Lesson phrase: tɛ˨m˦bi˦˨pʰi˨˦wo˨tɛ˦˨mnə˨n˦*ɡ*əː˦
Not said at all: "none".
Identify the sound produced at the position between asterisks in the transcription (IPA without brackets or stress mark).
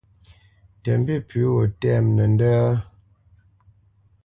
d